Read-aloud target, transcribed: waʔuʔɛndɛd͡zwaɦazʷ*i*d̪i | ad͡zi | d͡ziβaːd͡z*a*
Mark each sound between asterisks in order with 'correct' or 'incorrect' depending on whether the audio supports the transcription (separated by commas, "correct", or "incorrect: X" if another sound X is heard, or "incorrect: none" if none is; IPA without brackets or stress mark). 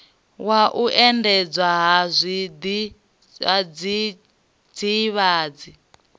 correct, incorrect: i